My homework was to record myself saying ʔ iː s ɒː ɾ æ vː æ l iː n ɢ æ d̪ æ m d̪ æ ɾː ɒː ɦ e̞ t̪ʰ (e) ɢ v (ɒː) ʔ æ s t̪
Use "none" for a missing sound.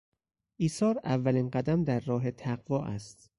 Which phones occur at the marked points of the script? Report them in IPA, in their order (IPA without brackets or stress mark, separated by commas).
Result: æ, ɒː